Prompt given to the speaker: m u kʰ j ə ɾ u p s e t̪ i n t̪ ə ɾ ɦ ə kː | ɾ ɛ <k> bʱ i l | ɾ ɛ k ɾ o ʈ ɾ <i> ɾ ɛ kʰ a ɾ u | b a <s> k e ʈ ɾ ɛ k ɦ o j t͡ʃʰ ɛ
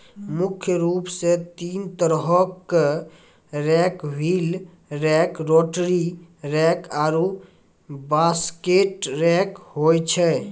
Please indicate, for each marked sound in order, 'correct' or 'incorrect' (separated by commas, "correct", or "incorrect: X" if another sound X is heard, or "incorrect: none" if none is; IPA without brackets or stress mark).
correct, correct, correct